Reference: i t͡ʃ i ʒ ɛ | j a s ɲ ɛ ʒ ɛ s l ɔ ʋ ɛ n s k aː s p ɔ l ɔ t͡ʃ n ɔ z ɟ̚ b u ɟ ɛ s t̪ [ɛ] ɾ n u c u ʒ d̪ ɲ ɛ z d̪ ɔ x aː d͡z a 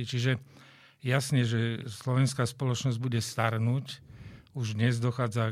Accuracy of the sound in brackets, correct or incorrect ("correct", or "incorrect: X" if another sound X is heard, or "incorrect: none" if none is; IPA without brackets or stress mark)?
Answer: incorrect: a